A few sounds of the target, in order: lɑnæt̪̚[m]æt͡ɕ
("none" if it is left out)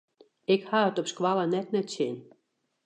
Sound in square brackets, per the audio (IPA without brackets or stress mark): n